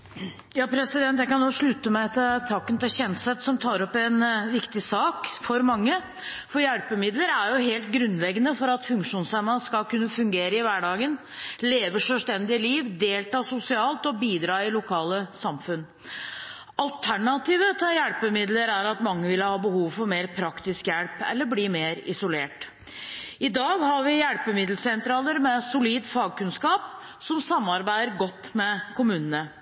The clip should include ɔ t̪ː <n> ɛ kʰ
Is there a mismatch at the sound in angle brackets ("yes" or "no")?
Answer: yes